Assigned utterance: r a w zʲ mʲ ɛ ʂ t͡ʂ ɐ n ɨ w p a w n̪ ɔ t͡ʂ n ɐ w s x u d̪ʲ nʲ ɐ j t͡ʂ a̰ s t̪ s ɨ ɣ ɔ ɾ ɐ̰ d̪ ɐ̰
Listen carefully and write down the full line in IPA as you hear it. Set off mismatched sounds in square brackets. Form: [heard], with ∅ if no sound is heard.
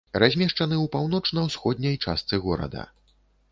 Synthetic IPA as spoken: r a [∅] zʲ mʲ ɛ ʂ t͡ʂ ɐ n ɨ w p a w n̪ ɔ t͡ʂ n ɐ w s x [ɔ] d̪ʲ nʲ ɐ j t͡ʂ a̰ s t̪ s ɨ ɣ ɔ ɾ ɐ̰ d̪ ɐ̰

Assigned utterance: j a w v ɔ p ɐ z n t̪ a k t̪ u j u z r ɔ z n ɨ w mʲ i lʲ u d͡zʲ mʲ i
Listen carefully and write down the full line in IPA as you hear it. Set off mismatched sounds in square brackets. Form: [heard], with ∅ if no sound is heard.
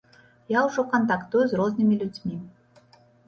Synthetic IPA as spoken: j a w [ʐ] ɔ [k] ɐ [∅] n t̪ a k t̪ u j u z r ɔ z n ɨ [∅] mʲ i lʲ u d͡zʲ mʲ i

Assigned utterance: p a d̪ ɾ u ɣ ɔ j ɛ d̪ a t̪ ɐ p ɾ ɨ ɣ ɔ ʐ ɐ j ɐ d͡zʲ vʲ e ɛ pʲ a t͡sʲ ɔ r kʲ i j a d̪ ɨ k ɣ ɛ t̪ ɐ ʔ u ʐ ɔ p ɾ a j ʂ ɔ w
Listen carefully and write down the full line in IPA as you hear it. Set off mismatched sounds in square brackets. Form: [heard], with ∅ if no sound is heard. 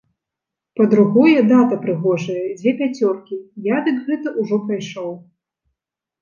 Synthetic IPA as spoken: p [ɐ] d̪ ɾ u ɣ ɔ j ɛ d̪ a t̪ ɐ p ɾ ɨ ɣ ɔ ʐ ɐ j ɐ d͡zʲ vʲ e ɛ pʲ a t͡sʲ ɔ r kʲ i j a d̪ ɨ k ɣ ɛ t̪ ɐ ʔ u ʐ ɔ p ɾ a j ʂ ɔ w

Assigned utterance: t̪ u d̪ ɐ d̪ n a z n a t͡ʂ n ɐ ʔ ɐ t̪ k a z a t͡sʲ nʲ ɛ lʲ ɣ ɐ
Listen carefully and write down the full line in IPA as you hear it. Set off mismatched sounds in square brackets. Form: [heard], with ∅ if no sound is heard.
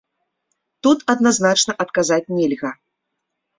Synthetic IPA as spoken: t̪ u [t̪] ɐ d̪ n a z n a t͡ʂ n ɐ ʔ ɐ t̪ k a z a t͡sʲ nʲ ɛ lʲ ɣ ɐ

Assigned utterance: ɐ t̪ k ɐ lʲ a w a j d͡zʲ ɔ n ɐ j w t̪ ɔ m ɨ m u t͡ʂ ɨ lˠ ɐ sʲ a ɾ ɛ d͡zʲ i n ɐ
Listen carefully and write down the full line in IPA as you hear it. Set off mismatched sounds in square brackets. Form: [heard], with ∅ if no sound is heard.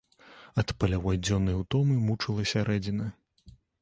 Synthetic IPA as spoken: ɐ t̪ [p] ɐ lʲ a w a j d͡zʲ ɔ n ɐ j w t̪ ɔ m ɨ m u t͡ʂ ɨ lˠ ɐ sʲ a ɾ ɛ d͡zʲ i n ɐ

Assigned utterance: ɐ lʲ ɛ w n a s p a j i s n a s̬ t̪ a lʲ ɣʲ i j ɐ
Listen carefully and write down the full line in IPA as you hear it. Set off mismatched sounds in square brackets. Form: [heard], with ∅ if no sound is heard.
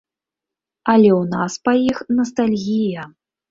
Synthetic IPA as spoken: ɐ lʲ ɛ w n a s p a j i [x] n [ɐ] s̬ t̪ a lʲ ɣʲ i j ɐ

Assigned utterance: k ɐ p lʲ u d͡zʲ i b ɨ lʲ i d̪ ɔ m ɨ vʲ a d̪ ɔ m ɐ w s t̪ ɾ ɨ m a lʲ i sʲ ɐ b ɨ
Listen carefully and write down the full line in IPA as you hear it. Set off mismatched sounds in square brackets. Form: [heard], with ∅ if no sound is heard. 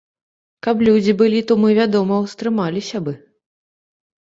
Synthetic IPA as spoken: k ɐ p lʲ u d͡zʲ i b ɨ lʲ i [t̪] ɔ m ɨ vʲ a d̪ ɔ m ɐ w s t̪ ɾ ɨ m a lʲ i sʲ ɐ b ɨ

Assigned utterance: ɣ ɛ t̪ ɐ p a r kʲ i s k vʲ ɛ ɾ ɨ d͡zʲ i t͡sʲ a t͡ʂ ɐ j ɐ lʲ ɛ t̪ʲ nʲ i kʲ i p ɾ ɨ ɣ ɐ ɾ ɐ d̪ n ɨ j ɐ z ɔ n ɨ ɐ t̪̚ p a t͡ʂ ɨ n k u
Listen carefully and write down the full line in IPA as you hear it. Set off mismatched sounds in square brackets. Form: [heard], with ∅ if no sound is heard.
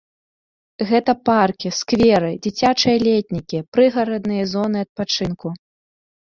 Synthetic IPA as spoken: ɣ ɛ t̪ ɐ p a r kʲ i s k vʲ ɛ ɾ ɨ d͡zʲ i t͡sʲ a t͡ʂ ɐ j ɐ lʲ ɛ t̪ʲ nʲ i kʲ i p ɾ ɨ ɣ ɐ ɾ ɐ d̪ n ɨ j ɐ z ɔ n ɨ ɐ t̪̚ p a t͡ʂ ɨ n k u

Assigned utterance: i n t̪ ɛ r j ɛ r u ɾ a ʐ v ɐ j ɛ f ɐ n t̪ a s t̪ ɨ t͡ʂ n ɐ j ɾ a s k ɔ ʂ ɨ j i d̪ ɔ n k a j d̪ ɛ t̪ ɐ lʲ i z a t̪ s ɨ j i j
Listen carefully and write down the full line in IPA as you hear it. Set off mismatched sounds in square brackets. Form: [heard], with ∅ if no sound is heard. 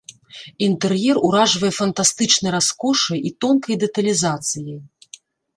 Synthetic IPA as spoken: i n t̪ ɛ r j ɛ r u ɾ a ʐ v ɐ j ɛ f ɐ n t̪ a s t̪ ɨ t͡ʂ n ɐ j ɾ a s k ɔ ʂ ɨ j i [t̪] ɔ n k [ɐ] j d̪ ɛ t̪ ɐ lʲ i z a t̪ s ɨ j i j

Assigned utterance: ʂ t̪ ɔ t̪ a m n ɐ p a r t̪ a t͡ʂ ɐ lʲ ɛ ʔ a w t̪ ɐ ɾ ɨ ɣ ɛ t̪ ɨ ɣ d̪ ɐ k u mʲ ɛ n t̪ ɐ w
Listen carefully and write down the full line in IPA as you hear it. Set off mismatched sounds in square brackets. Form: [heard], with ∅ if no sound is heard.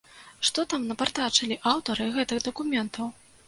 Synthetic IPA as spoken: ʂ t̪ ɔ t̪ a m n ɐ p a r t̪ a t͡ʂ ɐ lʲ [i] ʔ a w t̪ ɐ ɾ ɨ ɣ ɛ t̪ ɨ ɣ d̪ ɐ k u mʲ ɛ n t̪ ɐ w

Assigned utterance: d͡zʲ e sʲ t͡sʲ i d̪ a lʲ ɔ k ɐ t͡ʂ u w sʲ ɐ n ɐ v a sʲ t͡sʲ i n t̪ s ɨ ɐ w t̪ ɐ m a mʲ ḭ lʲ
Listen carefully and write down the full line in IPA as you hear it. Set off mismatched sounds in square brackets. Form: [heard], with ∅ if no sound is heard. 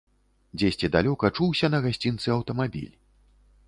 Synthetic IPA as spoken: d͡zʲ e sʲ t͡sʲ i d̪ a lʲ ɔ k ɐ t͡ʂ u w sʲ ɐ n ɐ [ɣ] a sʲ t͡sʲ i n t̪ s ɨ ɐ w t̪ ɐ m a [bʲ] ḭ lʲ

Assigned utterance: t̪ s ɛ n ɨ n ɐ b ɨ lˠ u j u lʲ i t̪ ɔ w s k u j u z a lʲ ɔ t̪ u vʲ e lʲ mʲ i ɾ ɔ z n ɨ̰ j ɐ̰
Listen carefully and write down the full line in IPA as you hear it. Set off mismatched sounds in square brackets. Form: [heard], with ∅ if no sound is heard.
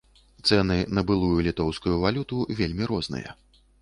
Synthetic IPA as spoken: t̪ s ɛ n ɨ n ɐ b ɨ lˠ u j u lʲ i t̪ ɔ w s k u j u [v] a lʲ [u] t̪ u vʲ e lʲ mʲ i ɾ ɔ z n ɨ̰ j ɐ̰

